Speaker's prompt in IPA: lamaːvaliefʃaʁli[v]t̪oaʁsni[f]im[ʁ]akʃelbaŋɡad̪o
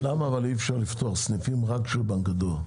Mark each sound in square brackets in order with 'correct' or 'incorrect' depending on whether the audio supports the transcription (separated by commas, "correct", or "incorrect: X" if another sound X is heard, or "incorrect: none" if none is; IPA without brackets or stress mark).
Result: incorrect: f, correct, correct